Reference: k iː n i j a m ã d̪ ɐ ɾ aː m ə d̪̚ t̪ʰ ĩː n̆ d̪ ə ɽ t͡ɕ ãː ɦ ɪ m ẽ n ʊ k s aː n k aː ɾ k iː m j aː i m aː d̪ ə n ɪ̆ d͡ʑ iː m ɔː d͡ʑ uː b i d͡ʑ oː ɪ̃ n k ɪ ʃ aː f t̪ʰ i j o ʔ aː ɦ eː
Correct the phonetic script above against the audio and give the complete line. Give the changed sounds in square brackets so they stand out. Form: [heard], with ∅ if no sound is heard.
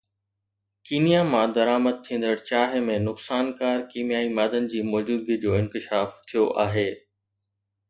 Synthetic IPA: k iː n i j a m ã d̪ ɐ ɾ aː m ə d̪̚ t̪ʰ ĩː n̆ d̪ ə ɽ t͡ɕ [aː] ɦ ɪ m ẽ n ʊ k s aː n k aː ɾ k iː m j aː i m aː d̪ ə n ɪ̆ d͡ʑ iː m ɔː d͡ʑ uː b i d͡ʑ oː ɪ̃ n k ɪ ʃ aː f t̪ʰ i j o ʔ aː ɦ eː

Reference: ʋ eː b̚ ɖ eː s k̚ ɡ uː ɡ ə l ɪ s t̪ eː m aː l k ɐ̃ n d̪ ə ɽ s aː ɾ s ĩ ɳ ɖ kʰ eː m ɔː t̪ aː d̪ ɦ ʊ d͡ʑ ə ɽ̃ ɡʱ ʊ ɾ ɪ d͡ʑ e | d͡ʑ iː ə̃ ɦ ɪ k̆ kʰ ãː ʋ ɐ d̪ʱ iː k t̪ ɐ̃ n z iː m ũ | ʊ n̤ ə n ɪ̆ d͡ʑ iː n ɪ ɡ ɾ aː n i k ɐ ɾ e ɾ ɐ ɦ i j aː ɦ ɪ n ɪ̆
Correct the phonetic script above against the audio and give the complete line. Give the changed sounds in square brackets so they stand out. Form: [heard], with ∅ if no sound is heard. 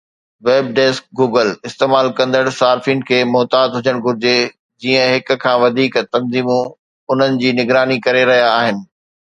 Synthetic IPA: ʋ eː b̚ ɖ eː s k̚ ɡ uː ɡ ə l ɪ s t̪ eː m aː l k ɐ̃ n d̪ ə ɽ s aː ɾ [f] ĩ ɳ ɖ kʰ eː m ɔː t̪ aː d̪ ɦ ʊ d͡ʑ ə ɽ̃ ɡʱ ʊ ɾ ɪ d͡ʑ e | d͡ʑ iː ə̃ ɦ ɪ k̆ kʰ ãː ʋ ɐ d̪ʱ iː k t̪ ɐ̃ n z iː m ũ | ʊ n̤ ə n ɪ̆ d͡ʑ iː n ɪ ɡ ɾ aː n i k ɐ ɾ e ɾ ɐ ɦ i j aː ɦ ɪ n ɪ̆

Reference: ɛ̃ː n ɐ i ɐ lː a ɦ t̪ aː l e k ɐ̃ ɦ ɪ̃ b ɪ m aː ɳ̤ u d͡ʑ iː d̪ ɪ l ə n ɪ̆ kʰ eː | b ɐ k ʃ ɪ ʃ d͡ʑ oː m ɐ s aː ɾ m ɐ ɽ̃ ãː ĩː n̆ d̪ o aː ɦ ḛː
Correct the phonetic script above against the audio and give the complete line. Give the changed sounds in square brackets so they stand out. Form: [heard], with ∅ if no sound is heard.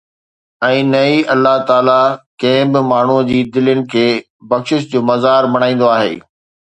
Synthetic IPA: ɛ̃ː n ɐ i ɐ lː a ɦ t̪ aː l [a] k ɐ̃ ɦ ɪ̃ b ɪ m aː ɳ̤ u d͡ʑ iː d̪ ɪ l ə n ɪ̆ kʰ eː | b ɐ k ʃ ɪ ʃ d͡ʑ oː m ɐ [z] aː ɾ m ɐ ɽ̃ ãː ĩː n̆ d̪ o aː ɦ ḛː

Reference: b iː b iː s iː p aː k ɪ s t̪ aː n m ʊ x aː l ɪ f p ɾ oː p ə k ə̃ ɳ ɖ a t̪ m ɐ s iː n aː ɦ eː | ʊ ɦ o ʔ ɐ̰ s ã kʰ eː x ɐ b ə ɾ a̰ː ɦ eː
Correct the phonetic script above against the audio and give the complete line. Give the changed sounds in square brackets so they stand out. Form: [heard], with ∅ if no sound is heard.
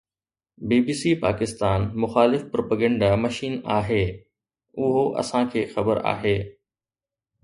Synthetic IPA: b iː b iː s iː p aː k ɪ s t̪ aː n m ʊ x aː l ɪ f p ɾ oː p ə [ɡ] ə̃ ɳ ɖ a [∅] m ɐ [ʃ] iː n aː ɦ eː | ʊ ɦ o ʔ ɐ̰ s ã kʰ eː x ɐ b ə ɾ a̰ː ɦ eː

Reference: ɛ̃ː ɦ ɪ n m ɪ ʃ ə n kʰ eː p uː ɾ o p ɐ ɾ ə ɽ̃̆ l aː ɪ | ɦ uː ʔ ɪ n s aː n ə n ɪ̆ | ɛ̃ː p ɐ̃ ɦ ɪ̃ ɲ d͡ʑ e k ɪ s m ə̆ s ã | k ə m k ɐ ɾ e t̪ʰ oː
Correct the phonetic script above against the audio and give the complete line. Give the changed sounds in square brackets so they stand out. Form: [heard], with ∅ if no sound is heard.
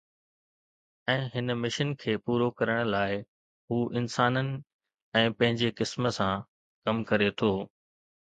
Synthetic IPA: ɛ̃ː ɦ ɪ n m ɪ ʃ ə n kʰ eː p uː ɾ o [k] ɐ ɾ ə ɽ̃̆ l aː ɪ | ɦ uː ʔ ɪ n s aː n ə n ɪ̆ | ɛ̃ː p ɐ̃ ɦ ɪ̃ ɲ d͡ʑ e k ɪ s m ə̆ s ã | k [ɐ] m k ɐ ɾ e t̪ʰ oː

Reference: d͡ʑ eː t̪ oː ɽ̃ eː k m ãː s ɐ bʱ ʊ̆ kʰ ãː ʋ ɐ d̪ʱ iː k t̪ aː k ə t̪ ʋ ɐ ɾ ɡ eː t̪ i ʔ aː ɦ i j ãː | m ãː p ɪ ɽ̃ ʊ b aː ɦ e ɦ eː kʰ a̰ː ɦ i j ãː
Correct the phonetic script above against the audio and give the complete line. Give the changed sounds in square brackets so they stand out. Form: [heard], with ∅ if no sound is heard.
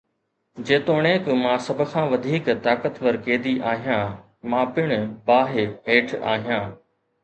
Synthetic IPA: d͡ʑ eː t̪ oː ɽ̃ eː k m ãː s ɐ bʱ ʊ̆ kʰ ãː ʋ ɐ d̪ʱ iː k t̪ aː k ə t̪ ʋ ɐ ɾ [k] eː [d̪] i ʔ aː ɦ i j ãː | m ãː p ɪ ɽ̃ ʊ b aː ɦ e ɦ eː [ʈʰ] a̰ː ɦ i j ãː

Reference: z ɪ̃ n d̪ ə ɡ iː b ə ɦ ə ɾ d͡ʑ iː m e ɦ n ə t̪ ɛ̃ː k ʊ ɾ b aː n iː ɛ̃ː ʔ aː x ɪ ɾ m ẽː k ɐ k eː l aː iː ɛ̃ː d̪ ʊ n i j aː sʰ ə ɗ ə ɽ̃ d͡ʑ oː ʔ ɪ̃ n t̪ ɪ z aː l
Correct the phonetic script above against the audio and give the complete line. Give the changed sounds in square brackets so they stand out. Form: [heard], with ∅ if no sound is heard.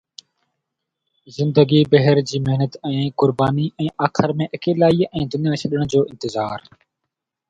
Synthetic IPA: z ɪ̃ n d̪ ə ɡ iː b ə ɦ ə ɾ d͡ʑ iː m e ɦ n ə t̪ ɛ̃ː k ʊ ɾ b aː n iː ɛ̃ː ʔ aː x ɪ ɾ m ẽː [ʔ] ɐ k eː l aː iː ɛ̃ː d̪ ʊ n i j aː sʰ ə ɗ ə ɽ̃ d͡ʑ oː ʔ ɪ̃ n t̪ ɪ z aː [ɾ]

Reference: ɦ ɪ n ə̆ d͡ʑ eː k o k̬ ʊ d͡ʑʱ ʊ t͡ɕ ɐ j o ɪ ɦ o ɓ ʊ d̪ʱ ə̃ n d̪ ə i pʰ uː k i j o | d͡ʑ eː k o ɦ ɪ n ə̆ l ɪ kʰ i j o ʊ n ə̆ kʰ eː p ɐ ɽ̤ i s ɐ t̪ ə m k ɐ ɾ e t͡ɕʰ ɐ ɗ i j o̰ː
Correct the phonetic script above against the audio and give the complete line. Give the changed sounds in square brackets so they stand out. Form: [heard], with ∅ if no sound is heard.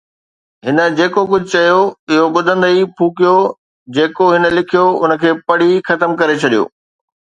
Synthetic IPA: ɦ ɪ n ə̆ d͡ʑ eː k o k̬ ʊ d͡ʑʱ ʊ t͡ɕ ɐ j o ɪ ɦ o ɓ ʊ d̪ʱ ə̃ n d̪ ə i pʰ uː k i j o | d͡ʑ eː k o ɦ ɪ n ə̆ l ɪ kʰ i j o ʊ n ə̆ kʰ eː p ɐ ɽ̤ i [x] ɐ t̪ ə m k ɐ ɾ e t͡ɕʰ ɐ ɗ i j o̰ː

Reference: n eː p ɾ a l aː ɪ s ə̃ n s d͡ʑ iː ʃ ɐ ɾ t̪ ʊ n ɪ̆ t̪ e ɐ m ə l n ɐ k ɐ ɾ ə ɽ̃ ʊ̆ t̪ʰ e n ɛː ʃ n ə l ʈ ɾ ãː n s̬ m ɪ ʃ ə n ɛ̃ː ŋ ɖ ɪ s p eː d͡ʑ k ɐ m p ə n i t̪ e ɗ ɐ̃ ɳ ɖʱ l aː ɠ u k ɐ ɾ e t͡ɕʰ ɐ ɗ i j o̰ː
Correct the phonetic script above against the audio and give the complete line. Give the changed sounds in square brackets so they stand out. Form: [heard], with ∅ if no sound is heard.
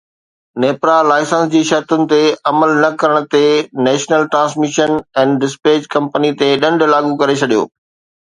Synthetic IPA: n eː p ɾ a l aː ɪ s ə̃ n s d͡ʑ iː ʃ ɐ ɾ t̪ ʊ n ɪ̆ t̪ e ɐ m ə l n ɐ k ɐ ɾ ə ɽ̃ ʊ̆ [t̪] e n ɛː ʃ n ə l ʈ ɾ ãː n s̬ m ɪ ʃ ə n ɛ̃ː [n] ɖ ɪ s p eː d͡ʑ k [ɐ̃] m p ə n i t̪ e ɗ ɐ̃ ɳ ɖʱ l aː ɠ u k ɐ ɾ e t͡ɕʰ ɐ ɗ i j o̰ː

